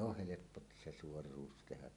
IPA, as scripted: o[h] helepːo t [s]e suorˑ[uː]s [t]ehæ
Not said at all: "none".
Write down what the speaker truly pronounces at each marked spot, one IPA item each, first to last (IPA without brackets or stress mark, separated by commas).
h, s, uː, t